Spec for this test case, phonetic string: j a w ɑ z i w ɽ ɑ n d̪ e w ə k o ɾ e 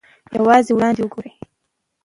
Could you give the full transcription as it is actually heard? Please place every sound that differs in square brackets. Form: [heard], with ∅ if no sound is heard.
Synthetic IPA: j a w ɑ z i w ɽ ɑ n d̪ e w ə [ɡ] o ɾ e